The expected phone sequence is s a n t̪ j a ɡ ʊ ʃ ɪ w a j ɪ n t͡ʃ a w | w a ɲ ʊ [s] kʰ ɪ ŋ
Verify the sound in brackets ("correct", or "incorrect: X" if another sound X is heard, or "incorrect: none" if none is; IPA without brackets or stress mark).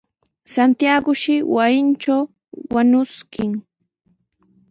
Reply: correct